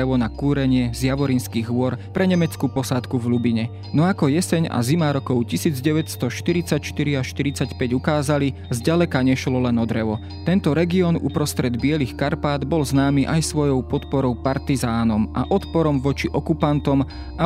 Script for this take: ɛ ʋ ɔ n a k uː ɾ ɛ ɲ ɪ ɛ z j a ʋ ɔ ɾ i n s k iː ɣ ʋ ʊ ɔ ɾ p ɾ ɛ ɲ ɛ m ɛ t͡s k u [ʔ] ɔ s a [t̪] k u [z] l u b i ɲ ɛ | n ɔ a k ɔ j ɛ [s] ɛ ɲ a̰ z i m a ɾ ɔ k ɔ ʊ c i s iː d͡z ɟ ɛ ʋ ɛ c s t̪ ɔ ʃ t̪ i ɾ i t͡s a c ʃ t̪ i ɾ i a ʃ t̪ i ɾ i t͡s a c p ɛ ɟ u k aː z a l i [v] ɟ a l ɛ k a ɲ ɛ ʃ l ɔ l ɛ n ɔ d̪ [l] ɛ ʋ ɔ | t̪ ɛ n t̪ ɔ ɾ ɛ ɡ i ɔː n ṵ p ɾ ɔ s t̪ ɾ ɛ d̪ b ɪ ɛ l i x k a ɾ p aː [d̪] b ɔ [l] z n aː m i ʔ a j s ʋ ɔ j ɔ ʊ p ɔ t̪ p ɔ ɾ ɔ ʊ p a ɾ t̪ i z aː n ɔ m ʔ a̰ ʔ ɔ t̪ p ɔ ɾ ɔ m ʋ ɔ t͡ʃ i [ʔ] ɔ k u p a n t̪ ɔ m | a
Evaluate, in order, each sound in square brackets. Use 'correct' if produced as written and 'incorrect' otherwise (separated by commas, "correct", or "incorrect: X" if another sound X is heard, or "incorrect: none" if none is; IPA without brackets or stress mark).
incorrect: p, correct, incorrect: v, correct, incorrect: z, incorrect: ɾ, correct, correct, correct